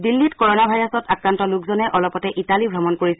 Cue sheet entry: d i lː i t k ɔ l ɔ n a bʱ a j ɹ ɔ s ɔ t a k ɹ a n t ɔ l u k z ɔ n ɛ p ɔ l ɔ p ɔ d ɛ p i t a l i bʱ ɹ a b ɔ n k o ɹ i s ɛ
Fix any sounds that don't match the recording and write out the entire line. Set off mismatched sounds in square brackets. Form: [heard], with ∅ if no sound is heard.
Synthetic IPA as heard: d i lː i t k ɔ [ɹ] ɔ n a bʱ a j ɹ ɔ s ɔ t a k ɹ a n t ɔ l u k z ɔ n ɛ [ʔ] ɔ l ɔ p ɔ [t] ɛ [ʔ] i t a l i bʱ ɹ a [m] ɔ n k o ɹ i s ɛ